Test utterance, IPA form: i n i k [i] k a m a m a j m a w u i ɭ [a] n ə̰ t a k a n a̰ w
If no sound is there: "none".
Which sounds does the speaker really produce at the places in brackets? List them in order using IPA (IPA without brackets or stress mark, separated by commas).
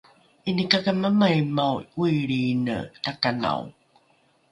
a, i